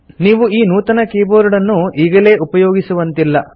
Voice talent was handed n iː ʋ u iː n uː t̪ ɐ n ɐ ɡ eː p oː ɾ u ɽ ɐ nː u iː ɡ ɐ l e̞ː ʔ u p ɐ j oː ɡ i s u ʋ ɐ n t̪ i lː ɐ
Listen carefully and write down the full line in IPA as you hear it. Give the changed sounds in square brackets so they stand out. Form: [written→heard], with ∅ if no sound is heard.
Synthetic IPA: n iː ʋ u iː n uː t̪ ɐ n ɐ [ɡ→k] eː [p→b] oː ɾ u ɽ ɐ nː u iː ɡ ɐ l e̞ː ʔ u p ɐ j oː ɡ i s u ʋ ɐ n t̪ i lː ɐ